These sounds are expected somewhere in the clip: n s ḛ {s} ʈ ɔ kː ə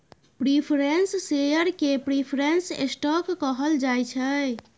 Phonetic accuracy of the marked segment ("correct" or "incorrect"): correct